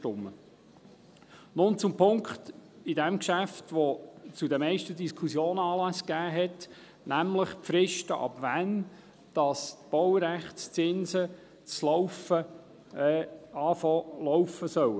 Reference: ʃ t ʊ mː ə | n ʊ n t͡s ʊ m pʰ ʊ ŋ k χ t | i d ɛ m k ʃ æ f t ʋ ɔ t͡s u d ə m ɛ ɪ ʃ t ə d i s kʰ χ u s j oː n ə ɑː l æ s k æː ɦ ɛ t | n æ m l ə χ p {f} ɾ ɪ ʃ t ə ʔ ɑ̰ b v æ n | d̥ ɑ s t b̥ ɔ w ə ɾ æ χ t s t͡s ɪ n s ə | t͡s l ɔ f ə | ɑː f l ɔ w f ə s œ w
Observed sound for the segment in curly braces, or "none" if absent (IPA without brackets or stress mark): f